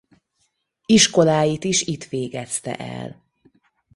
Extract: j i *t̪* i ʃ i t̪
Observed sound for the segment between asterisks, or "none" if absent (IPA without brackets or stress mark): t̪